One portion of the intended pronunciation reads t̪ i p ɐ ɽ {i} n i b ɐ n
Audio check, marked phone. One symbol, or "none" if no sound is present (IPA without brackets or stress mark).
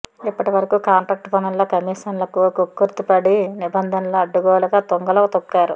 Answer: i